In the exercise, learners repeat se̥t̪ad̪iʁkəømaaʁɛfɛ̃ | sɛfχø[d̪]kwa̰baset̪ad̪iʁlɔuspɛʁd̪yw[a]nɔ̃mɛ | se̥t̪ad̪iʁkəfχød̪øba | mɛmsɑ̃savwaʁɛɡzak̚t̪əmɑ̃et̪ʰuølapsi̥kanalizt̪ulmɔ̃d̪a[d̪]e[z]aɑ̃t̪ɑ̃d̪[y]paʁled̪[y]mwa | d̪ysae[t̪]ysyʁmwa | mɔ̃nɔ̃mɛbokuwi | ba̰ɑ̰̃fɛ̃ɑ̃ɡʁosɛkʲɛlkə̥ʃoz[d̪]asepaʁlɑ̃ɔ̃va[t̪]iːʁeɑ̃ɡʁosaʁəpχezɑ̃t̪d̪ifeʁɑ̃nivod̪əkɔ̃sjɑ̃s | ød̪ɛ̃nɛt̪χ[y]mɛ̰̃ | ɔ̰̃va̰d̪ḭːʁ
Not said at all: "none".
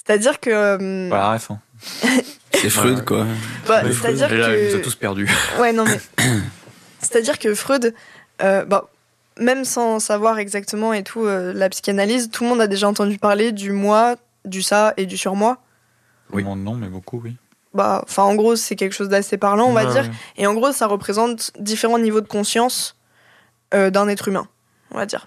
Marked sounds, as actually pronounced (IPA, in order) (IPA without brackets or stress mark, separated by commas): d̪, ɛ, d̪, ʒ, y, y, d̪, d̪, d̪, y